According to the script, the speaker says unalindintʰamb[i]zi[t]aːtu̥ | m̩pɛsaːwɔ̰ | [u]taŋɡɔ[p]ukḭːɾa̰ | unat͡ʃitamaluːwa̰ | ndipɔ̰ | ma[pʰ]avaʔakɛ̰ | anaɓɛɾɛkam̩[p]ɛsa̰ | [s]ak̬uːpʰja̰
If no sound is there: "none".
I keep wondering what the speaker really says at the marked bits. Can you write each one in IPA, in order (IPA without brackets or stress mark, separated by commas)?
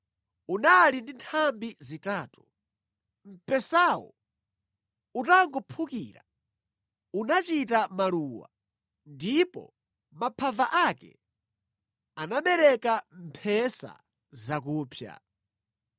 i, t, u, pʰ, pʰ, pʰ, z